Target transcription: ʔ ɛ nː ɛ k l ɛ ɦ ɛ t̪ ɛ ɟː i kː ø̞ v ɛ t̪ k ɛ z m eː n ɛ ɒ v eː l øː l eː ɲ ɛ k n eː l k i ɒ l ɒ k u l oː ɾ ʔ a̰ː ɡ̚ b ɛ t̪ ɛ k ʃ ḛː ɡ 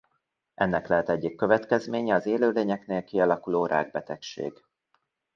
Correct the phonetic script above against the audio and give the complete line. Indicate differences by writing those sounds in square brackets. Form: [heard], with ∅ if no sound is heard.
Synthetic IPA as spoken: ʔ ɛ nː ɛ k l ɛ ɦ ɛ t̪ ɛ ɟː i kː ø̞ v ɛ t̪ k ɛ z m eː [ɲ] ɛ ɒ [z] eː l øː l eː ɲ ɛ k n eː l k i ɒ l ɒ k u l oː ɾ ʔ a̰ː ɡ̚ b ɛ t̪ ɛ k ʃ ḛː ɡ

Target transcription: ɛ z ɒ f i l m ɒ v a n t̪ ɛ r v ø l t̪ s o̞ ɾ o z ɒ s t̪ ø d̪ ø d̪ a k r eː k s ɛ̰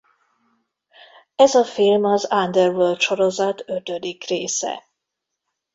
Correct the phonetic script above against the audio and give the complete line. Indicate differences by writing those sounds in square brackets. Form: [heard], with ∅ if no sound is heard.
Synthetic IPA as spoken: ɛ z ɒ f i l m ɒ [z] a n [d̪] ɛ r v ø l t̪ [ʃ] o̞ ɾ o z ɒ [∅] t̪ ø [t̪] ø d̪ [i] k r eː [∅] s ɛ̰

